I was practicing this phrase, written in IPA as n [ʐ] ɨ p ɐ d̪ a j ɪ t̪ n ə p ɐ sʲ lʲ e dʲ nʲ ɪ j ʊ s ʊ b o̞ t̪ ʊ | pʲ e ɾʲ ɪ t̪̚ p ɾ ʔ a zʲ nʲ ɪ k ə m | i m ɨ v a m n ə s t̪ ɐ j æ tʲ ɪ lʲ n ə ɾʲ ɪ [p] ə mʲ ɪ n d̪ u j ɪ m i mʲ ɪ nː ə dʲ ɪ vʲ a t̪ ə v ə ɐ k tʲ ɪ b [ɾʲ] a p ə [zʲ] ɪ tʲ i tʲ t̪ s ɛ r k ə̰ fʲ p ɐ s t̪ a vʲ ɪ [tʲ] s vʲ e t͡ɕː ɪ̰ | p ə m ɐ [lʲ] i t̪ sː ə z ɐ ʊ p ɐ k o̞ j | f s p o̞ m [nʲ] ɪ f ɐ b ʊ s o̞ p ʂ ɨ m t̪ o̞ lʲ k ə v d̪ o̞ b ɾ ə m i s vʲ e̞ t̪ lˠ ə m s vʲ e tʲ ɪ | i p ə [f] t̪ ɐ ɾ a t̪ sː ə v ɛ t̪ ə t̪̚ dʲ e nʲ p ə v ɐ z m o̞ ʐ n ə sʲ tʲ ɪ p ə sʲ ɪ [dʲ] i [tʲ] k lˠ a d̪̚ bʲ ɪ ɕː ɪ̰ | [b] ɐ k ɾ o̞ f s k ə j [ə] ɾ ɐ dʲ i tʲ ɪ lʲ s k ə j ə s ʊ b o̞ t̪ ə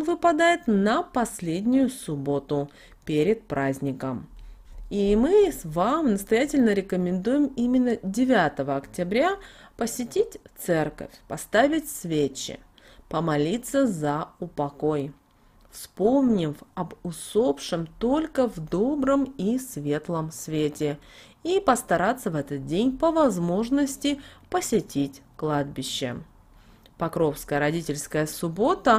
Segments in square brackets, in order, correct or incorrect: incorrect: v, incorrect: k, correct, incorrect: sʲ, correct, correct, correct, incorrect: s, incorrect: tʲ, correct, incorrect: p, correct

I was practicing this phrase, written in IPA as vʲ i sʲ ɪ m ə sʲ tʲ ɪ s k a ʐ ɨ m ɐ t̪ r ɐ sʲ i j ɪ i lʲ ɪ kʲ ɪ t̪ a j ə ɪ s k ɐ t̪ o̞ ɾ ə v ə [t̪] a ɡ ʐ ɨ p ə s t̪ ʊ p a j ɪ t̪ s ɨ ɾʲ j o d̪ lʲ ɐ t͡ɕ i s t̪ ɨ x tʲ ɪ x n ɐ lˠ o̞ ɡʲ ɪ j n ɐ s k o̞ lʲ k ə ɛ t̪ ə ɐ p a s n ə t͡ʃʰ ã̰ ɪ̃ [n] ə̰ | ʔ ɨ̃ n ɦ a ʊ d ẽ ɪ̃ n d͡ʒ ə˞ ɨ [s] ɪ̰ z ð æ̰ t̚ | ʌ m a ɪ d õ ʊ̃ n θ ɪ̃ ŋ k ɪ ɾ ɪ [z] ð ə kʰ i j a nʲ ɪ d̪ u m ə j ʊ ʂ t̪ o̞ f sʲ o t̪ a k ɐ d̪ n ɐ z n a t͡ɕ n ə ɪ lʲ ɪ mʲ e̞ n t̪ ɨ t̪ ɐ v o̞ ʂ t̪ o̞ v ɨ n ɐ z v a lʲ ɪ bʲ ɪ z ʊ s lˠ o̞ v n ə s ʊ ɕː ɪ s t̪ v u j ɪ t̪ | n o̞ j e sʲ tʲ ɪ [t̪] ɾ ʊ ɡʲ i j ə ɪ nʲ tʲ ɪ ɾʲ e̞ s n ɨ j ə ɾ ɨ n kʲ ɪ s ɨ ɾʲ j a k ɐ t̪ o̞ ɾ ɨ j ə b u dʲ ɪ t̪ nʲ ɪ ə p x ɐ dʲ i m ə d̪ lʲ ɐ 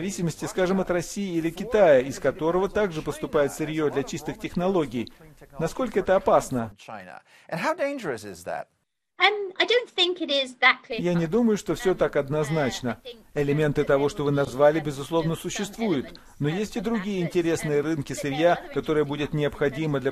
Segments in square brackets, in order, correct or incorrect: correct, correct, correct, correct, incorrect: d̪

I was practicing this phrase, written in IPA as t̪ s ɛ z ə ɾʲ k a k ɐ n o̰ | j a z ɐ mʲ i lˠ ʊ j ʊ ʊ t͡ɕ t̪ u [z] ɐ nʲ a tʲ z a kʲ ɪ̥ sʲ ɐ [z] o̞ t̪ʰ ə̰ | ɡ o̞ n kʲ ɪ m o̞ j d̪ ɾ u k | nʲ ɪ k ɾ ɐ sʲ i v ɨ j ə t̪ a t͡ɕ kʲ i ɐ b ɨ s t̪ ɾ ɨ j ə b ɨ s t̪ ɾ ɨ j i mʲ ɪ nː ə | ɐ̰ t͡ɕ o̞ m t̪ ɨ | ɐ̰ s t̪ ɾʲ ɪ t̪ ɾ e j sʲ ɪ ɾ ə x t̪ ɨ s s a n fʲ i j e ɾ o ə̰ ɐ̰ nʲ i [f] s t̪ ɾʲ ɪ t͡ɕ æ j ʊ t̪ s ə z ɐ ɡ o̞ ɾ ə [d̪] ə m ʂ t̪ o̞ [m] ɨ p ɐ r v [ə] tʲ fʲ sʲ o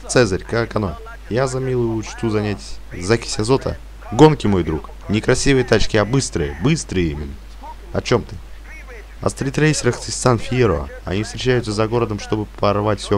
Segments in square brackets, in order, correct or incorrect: correct, correct, correct, correct, incorrect: b, incorrect: a

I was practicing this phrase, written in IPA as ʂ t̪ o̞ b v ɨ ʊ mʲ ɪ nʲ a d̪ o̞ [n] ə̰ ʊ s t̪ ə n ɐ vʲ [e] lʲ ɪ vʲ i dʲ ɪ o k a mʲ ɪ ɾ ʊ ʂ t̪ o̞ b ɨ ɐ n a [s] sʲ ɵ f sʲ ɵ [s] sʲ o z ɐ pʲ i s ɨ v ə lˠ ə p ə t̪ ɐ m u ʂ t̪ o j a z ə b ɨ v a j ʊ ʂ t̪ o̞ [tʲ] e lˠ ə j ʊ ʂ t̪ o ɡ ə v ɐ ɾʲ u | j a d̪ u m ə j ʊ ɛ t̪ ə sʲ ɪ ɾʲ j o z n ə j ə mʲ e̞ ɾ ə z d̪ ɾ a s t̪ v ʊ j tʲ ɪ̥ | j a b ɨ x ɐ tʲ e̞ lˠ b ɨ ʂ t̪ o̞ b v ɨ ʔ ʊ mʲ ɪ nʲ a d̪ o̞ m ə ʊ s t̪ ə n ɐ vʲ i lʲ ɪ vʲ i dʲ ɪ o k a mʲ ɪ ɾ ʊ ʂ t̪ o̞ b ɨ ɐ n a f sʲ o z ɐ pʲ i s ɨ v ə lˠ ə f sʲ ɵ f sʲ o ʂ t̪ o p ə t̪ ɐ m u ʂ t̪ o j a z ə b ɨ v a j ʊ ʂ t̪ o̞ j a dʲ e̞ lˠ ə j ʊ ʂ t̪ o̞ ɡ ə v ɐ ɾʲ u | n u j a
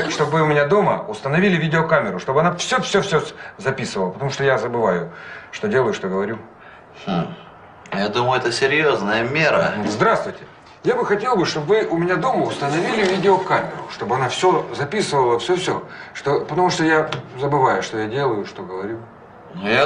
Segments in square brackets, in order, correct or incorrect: incorrect: m, incorrect: i, incorrect: f, incorrect: f, incorrect: dʲ

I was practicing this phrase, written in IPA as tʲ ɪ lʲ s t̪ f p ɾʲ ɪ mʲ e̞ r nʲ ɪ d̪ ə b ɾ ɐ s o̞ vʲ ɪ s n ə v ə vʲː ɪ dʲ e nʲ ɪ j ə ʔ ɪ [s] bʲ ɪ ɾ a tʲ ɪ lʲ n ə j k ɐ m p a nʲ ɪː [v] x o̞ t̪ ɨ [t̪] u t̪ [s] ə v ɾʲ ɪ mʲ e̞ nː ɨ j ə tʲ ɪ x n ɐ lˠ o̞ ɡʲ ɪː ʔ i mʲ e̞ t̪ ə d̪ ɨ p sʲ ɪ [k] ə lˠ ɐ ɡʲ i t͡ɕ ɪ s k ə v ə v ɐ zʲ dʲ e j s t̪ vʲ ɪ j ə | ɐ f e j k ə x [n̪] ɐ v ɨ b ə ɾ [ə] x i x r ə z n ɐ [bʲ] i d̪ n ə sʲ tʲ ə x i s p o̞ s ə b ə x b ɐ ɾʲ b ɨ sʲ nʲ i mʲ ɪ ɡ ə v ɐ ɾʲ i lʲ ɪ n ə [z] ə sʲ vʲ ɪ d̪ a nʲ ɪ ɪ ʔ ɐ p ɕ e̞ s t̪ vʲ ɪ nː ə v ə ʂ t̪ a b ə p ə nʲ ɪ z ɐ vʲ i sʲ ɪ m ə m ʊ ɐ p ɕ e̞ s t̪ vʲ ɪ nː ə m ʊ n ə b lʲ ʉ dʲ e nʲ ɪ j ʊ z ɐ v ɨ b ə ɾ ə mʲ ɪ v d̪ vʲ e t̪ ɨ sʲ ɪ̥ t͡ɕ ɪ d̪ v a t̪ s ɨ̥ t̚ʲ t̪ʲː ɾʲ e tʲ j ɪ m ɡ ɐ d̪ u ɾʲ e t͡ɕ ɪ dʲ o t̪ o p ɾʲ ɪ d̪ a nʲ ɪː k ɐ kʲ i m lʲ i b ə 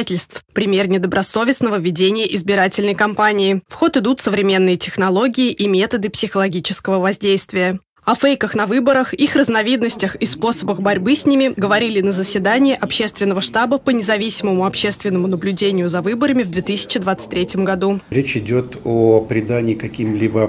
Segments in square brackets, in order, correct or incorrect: incorrect: z, incorrect: f, incorrect: d̪, correct, incorrect: x, correct, correct, incorrect: vʲ, correct

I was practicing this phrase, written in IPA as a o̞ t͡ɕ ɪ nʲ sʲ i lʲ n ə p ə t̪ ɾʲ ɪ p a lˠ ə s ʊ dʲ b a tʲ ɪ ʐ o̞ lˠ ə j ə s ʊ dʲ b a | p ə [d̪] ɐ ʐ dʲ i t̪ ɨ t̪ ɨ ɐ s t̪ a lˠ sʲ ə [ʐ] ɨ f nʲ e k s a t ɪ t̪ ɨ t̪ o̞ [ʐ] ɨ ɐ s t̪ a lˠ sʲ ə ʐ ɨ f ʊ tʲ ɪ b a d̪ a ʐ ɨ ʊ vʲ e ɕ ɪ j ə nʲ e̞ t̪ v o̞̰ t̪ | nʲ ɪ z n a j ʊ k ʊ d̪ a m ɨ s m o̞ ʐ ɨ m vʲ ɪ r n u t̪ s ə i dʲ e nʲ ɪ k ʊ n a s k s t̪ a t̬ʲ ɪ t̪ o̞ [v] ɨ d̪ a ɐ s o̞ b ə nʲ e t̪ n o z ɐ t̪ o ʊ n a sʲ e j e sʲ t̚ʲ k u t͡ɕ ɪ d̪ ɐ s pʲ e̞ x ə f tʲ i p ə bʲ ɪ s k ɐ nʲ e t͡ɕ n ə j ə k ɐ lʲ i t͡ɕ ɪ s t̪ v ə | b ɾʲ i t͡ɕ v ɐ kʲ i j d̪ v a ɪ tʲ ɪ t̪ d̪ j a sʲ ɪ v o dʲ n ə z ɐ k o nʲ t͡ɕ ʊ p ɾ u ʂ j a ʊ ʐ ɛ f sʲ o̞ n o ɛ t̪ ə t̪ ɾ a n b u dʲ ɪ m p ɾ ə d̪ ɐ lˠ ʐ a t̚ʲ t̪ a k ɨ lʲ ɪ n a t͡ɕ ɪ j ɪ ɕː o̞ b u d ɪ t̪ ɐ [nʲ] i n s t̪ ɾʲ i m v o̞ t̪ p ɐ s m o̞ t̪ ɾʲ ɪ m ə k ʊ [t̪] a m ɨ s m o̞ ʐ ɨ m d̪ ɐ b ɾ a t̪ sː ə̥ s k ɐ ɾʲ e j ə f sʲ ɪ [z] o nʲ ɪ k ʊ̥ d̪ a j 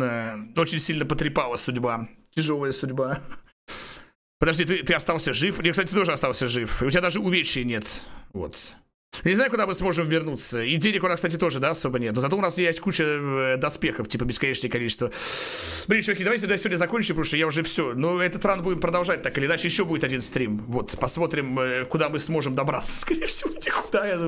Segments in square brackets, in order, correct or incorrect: correct, correct, correct, incorrect: ʐ, incorrect: dʲ, incorrect: d̪, incorrect: v

